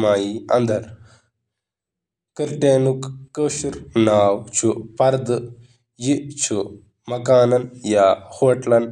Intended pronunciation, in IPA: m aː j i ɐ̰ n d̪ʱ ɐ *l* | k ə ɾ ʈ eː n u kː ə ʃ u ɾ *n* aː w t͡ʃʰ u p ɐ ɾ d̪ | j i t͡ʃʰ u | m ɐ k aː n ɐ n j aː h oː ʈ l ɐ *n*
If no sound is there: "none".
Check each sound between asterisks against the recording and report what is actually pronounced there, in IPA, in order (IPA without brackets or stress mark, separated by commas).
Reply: ɾ, n, n